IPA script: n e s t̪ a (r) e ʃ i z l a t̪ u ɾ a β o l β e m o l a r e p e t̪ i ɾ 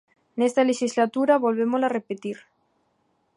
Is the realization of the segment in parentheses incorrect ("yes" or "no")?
yes